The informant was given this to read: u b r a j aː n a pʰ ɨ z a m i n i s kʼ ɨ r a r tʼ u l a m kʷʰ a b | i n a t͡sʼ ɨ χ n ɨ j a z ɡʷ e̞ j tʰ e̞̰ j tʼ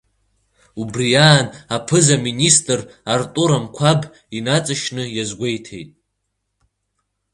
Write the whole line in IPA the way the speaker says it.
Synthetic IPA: u b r i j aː n a pʰ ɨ z a m i n i s tʼ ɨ r a r tʼ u ɾ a m kʷʰ a b | i n a t͡sʼ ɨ ʃ n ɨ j a z ɡʷ e̞ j tʰ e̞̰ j tʼ